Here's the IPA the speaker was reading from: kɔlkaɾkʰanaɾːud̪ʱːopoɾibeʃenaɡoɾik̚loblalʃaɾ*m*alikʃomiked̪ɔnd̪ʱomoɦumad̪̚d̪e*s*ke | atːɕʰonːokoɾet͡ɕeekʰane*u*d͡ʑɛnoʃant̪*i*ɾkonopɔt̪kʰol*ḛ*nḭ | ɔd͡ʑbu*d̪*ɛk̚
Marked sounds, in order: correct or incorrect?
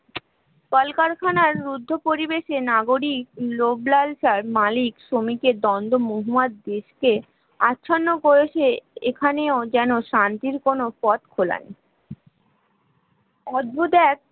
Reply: correct, incorrect, incorrect, correct, incorrect, correct

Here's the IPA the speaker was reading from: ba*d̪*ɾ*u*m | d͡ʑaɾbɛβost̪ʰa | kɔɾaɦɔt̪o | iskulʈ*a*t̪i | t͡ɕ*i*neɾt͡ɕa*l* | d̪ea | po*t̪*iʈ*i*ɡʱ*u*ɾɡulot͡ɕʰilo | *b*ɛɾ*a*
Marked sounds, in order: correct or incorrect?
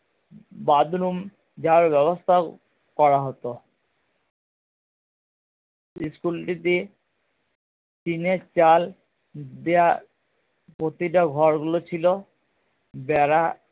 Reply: correct, correct, incorrect, correct, correct, correct, incorrect, incorrect, correct, correct

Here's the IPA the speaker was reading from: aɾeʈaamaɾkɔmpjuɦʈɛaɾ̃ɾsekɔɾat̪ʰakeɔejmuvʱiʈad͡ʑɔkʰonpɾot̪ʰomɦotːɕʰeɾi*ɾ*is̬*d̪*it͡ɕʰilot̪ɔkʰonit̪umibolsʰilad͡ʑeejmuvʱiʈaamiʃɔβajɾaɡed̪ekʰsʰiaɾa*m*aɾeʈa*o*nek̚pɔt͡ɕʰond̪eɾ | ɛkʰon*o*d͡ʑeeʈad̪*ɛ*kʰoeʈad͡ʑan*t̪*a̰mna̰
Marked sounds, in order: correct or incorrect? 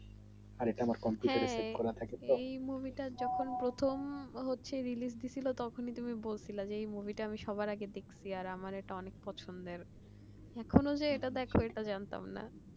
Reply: incorrect, correct, correct, incorrect, correct, correct, correct

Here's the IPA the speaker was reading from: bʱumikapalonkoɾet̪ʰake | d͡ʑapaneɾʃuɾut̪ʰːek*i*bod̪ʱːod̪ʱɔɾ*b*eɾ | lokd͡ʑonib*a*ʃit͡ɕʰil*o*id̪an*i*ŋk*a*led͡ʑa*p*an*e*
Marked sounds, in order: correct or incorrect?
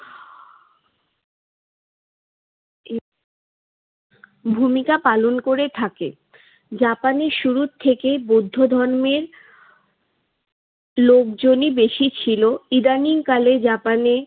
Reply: incorrect, incorrect, incorrect, correct, correct, correct, correct, correct

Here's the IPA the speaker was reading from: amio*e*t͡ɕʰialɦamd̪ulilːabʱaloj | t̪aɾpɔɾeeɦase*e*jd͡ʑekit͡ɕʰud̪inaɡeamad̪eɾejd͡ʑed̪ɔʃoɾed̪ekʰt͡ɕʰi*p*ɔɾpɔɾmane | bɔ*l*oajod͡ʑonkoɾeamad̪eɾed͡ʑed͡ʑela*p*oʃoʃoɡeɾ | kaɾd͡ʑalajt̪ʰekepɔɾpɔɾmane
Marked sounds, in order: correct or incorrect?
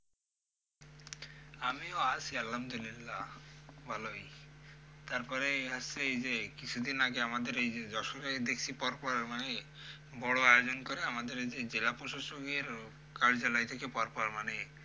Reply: incorrect, correct, correct, incorrect, correct

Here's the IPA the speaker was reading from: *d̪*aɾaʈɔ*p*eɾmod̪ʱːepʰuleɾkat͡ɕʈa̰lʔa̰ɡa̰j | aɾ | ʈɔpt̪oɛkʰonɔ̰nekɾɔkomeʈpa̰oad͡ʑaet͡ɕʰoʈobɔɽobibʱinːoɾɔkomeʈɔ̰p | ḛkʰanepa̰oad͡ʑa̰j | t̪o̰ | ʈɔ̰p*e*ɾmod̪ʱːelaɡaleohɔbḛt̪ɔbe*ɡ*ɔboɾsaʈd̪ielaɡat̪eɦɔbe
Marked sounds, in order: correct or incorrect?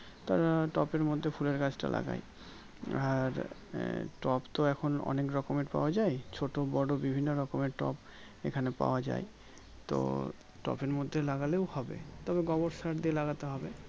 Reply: incorrect, correct, correct, correct

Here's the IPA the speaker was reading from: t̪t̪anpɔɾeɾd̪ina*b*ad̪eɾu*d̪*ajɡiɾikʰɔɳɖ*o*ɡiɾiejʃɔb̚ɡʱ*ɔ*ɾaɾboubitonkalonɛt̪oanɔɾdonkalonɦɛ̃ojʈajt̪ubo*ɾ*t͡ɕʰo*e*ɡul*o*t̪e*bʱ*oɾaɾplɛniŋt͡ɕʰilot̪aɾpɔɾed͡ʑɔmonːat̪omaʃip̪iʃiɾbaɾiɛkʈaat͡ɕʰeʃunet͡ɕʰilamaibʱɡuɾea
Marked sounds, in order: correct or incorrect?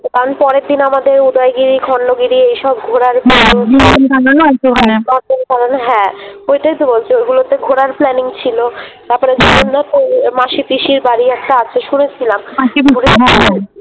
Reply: incorrect, correct, correct, incorrect, incorrect, correct, correct, incorrect

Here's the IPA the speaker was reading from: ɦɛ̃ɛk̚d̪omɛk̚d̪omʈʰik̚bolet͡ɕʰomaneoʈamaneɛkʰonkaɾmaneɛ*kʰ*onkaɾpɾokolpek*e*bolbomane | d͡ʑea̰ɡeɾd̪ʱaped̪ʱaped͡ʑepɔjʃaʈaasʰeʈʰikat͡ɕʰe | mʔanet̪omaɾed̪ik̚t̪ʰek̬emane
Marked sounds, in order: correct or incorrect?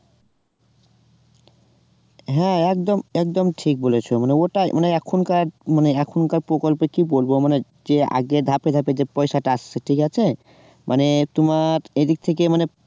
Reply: correct, incorrect

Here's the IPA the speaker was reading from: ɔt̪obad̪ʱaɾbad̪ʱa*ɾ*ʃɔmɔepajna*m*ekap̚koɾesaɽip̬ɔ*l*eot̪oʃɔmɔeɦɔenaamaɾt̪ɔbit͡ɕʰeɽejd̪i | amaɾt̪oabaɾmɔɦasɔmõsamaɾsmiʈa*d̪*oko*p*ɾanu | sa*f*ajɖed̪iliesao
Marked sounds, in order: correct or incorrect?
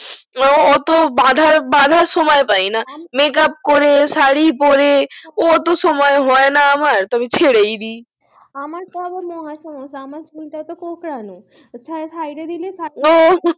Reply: correct, correct, incorrect, incorrect, incorrect, incorrect

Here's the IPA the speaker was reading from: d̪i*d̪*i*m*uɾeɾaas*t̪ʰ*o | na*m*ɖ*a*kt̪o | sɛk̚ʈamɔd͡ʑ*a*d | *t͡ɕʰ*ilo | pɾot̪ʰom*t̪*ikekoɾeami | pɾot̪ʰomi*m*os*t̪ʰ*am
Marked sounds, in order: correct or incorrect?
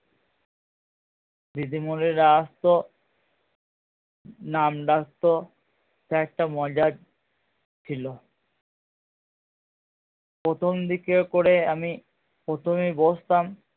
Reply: correct, correct, incorrect, correct, correct, correct, correct, incorrect, incorrect, incorrect

